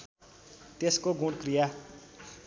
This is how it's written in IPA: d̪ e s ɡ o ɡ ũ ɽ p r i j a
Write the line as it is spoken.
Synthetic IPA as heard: t̪ e s k o ɡ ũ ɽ k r i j a